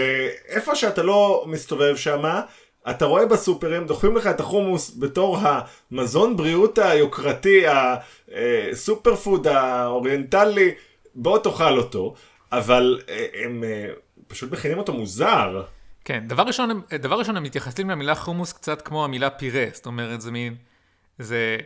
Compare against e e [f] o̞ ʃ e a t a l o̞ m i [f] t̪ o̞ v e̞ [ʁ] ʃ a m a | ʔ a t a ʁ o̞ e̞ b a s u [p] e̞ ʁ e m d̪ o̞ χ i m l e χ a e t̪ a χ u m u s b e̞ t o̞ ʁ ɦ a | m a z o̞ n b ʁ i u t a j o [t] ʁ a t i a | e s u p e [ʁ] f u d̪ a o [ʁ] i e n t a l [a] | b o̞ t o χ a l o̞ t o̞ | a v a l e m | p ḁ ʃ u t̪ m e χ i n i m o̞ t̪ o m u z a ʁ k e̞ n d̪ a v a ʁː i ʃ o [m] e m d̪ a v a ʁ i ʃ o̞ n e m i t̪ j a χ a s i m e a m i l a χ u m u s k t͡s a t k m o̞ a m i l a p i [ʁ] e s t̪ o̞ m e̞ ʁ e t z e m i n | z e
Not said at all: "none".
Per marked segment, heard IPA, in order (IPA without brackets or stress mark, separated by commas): f, s, v, p, k, ʁ, ʁ, i, n, ʁ